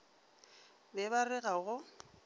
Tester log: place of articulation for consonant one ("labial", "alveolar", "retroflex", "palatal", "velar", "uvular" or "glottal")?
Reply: labial